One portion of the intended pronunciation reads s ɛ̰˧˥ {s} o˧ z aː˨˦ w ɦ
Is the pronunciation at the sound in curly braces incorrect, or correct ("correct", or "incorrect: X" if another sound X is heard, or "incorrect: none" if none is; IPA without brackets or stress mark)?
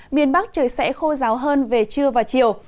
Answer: incorrect: x